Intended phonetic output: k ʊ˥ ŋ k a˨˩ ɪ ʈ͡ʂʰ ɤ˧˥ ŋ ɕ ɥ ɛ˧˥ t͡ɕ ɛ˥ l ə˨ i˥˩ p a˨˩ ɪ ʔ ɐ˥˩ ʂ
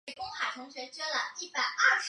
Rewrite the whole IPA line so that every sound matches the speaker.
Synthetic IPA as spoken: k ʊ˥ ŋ x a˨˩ ɪ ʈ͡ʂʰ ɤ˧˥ ŋ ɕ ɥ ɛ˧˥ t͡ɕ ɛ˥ l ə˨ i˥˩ p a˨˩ ɪ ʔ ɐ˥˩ ʂ